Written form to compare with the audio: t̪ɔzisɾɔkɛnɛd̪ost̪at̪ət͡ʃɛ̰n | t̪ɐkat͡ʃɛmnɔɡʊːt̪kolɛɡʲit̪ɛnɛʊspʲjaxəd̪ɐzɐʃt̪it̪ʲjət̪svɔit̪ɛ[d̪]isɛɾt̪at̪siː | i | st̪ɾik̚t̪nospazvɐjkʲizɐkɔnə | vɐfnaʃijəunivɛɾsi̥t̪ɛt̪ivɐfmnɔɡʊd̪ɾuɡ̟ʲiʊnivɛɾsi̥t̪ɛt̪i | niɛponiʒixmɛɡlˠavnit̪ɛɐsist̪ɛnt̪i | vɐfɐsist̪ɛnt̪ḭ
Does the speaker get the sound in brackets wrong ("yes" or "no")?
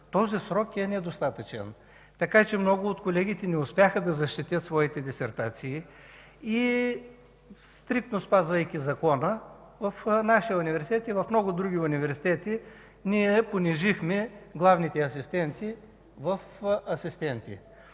no